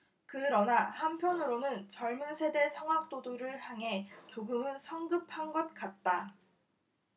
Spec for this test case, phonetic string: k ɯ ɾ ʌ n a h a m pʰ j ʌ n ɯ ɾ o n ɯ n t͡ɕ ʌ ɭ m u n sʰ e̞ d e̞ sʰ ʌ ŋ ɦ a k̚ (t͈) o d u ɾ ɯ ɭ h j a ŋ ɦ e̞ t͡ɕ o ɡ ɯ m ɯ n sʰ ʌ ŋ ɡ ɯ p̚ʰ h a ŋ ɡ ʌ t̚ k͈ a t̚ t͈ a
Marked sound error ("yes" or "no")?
no